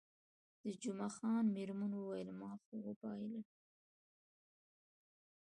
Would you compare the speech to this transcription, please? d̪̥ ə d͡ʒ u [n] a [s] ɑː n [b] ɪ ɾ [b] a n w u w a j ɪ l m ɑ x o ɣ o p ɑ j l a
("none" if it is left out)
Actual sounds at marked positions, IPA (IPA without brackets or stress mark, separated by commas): m, x, m, m